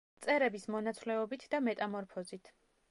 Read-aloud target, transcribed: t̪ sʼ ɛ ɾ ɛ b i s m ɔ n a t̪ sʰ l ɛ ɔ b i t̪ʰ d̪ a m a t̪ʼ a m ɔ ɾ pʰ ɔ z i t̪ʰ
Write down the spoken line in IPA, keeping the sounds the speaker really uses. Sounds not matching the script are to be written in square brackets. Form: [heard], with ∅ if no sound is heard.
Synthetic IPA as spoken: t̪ sʼ ɛ ɾ ɛ b i s m ɔ n a t̪ sʰ l ɛ ɔ b i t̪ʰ d̪ a m [ɛ] t̪ʼ a m ɔ ɾ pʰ ɔ z i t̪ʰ